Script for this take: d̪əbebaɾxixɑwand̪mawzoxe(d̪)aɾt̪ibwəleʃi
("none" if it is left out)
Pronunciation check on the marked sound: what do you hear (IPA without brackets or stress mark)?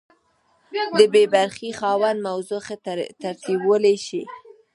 t̪